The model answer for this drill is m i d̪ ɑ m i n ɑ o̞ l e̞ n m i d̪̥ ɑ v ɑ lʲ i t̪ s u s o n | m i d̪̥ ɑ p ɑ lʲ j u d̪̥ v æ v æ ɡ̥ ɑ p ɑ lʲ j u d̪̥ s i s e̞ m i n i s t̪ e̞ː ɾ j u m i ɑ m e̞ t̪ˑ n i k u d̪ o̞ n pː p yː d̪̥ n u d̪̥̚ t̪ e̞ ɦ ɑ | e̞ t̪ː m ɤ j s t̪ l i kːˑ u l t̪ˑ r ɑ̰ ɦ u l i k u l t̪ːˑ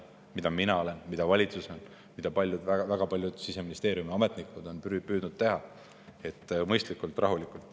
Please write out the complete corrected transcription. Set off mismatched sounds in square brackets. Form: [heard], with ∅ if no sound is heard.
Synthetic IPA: m i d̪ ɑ m i n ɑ o̞ l e̞ n m i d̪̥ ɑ v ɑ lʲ i t̪ s u s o n | m i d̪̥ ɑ p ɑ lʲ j u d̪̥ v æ v æ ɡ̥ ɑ p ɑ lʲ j u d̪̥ s i s e̞ m i n i s t̪ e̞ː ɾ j u m i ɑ m e̞ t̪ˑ n i k u d̪ o̞ n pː p yː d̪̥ n u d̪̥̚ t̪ e̞ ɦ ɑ | e̞ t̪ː m ɤ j s t̪ l i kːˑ u l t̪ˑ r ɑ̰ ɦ u l i k u l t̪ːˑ

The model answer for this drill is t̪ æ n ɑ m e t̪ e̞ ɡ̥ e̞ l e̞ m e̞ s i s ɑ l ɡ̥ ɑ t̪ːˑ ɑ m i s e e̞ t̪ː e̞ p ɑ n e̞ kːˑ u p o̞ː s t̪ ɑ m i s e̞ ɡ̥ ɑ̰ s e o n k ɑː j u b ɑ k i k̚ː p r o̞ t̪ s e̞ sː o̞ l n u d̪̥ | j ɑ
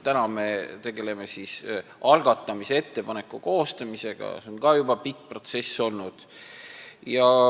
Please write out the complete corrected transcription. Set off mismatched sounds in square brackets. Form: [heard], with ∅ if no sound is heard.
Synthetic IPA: t̪ æ n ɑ m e t̪ e̞ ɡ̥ e̞ l e̞ m e̞ s i s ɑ l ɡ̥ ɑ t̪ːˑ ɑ m i s e e̞ t̪ː e̞ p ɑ n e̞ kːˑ u [k] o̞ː s t̪ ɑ m i s e̞ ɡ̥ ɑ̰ s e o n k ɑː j u b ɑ [p] i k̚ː p r o̞ t̪ s e̞ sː o̞ l n u d̪̥ | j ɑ

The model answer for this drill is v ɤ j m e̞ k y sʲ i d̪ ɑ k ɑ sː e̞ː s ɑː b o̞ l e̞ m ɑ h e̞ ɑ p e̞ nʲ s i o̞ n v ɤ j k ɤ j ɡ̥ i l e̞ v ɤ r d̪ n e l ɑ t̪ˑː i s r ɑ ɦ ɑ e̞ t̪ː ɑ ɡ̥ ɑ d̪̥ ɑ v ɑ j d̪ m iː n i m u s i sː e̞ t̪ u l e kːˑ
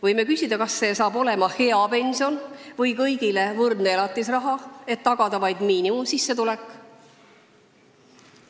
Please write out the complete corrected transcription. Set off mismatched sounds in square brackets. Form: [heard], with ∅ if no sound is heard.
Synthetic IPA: v ɤ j m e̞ k y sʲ i d̪ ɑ k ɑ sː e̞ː s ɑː b o̞ l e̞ m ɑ h e̞ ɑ p e̞ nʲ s i o̞ n v ɤ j k ɤ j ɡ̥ i l e̞ v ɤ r d̪ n e l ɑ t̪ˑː i s r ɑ ɦ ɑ e̞ t̪ː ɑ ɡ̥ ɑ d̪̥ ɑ v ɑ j d̪ m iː n i m u s i sː e̞ t̪ u l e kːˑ

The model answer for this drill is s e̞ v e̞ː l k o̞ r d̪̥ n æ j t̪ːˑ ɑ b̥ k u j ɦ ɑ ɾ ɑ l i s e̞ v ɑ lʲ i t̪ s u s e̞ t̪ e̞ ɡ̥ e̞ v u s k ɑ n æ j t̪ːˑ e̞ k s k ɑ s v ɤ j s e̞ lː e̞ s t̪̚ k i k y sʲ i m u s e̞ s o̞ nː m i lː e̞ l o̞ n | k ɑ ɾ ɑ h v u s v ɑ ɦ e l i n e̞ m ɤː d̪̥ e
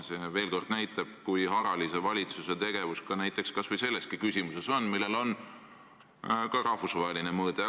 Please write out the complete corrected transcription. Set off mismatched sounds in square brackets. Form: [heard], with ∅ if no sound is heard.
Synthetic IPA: s e̞ v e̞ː l k o̞ r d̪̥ n æ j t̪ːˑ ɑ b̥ k u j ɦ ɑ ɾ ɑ l i s e̞ v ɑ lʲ i t̪ s u s e̞ t̪ e̞ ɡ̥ e̞ v u s k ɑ n æ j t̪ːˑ e̞ k s k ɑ s v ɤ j s e̞ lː e̞ s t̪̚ k i k y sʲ i m u s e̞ s o̞ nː m i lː e̞ l o̞ n | k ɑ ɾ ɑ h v u s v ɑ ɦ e l i n e̞ m ɤː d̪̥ e

